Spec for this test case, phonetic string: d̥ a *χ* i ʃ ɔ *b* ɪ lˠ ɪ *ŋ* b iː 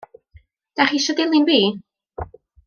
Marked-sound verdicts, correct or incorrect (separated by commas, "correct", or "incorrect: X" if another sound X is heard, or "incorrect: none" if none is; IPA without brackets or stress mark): correct, incorrect: d, incorrect: n